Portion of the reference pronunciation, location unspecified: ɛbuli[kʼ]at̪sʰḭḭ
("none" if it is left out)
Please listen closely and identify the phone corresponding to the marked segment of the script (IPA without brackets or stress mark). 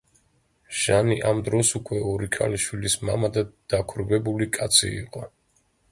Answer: kʼ